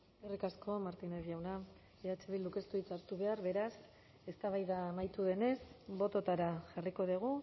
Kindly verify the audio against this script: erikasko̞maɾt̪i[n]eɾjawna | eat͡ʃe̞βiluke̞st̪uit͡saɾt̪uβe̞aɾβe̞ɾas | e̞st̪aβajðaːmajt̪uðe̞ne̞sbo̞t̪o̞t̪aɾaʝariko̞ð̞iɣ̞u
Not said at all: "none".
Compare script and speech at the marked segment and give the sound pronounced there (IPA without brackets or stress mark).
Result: n